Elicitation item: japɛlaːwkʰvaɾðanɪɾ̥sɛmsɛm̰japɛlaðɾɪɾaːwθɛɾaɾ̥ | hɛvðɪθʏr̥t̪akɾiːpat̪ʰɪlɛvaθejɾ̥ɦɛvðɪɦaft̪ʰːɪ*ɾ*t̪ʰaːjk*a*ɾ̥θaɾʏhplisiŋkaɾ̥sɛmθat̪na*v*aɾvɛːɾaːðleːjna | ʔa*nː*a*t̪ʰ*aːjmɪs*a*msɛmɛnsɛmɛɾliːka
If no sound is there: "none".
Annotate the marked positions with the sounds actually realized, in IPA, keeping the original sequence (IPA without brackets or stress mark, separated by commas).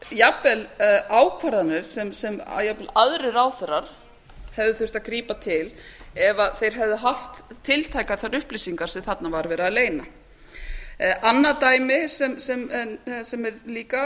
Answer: l, a, v, nː, t̪, ɛ